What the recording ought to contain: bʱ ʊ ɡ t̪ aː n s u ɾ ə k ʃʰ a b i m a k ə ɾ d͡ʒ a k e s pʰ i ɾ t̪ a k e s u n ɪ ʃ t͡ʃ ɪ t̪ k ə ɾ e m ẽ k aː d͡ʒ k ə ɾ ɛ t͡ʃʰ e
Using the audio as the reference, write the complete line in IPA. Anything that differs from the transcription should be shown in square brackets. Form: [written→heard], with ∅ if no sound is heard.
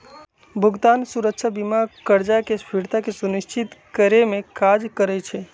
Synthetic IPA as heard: bʱ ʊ ɡ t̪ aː n s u ɾ ə k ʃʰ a b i m a k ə ɾ d͡ʒ a k e s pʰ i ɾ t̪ a k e s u n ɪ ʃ t͡ʃ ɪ t̪ k ə ɾ e m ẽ k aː d͡ʒ k ə ɾ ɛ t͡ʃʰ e